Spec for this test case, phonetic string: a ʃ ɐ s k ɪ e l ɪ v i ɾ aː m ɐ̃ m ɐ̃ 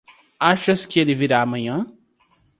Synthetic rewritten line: a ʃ ɐ s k ɪ e l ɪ v i ɾ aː m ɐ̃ ɲ ɐ̃